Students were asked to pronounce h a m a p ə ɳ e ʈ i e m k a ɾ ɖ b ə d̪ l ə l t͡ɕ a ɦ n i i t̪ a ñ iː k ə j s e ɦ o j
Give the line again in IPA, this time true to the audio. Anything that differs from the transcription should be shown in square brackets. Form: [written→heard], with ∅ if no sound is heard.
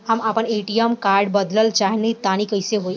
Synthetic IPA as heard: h a m a p ə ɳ e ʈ i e m k a ɾ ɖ b ə d̪ l ə l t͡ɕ a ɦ n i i t̪ a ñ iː k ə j s e ɦ o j